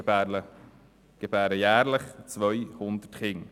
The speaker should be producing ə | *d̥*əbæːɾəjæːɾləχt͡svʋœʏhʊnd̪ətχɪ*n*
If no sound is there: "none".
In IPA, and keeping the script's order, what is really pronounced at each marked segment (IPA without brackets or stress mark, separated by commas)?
ɡ̥, ŋ